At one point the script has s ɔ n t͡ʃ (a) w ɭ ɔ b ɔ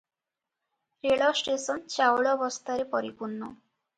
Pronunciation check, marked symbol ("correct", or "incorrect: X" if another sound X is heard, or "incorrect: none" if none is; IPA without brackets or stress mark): correct